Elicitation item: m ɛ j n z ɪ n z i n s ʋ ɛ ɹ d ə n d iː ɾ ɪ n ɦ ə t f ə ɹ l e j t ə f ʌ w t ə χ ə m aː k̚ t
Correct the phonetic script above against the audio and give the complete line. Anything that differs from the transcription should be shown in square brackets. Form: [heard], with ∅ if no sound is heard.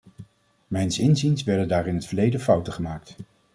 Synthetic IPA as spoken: m ɛ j n [s] ɪ n z i n s ʋ ɛ ɹ d ə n d [aː] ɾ ɪ n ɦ ə t f ə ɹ l e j [d] ə f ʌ w t ə χ ə m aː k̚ t